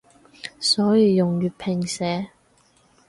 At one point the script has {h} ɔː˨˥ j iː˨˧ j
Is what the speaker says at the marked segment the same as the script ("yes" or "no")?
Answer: no